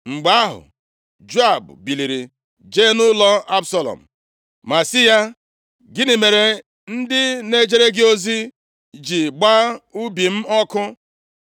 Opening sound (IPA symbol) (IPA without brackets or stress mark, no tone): ŋ͡m̩